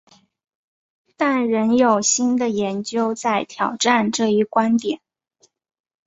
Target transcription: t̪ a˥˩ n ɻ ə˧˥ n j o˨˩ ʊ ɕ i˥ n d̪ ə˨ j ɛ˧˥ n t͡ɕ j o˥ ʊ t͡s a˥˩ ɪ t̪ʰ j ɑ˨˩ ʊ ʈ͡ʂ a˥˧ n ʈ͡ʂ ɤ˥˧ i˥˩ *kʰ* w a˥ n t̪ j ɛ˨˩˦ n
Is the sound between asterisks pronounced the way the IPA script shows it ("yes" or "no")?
no